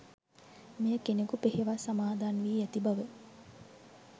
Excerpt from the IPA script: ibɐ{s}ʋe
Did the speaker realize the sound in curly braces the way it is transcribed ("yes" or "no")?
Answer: no